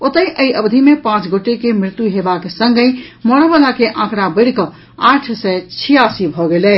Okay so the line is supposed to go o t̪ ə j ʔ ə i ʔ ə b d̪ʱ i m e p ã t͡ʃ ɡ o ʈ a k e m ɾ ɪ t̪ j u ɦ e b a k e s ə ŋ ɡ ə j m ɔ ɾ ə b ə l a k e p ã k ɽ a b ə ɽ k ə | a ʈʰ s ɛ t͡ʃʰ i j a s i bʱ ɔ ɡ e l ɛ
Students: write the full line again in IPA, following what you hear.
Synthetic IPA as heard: o t̪ ə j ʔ ə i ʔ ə b d̪ʱ i m e p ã t͡ʃ ɡ o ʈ e k e m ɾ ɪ t̪ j u ɦ e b a k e s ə ŋ ɡ ə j m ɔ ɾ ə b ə l a k e ʔ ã k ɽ a b ə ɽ k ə | a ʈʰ s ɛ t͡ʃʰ i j a s i bʱ ɔ ɡ e l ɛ